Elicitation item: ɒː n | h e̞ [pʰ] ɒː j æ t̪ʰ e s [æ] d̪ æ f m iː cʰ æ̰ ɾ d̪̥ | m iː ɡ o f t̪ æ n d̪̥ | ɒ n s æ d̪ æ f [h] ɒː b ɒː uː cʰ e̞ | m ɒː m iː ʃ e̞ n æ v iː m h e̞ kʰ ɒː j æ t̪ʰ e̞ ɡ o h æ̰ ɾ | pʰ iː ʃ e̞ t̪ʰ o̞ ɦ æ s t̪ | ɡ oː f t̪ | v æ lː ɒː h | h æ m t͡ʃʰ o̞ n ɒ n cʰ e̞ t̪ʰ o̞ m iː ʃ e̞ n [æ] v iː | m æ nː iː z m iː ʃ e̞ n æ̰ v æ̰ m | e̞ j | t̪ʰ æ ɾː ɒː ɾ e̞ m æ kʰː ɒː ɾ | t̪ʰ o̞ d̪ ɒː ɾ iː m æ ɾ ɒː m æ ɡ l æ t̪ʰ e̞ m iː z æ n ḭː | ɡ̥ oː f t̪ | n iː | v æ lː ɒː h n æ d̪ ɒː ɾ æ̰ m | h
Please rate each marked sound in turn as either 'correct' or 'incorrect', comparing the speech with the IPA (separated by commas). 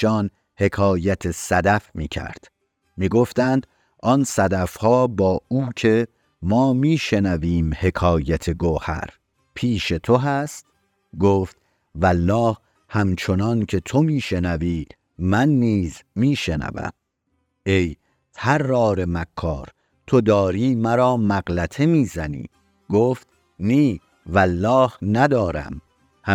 incorrect, correct, correct, correct